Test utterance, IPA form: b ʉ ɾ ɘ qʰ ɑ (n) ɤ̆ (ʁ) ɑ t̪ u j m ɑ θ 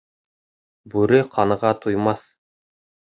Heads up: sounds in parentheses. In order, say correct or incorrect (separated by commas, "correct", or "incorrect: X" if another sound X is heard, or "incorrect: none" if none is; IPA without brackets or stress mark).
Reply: correct, correct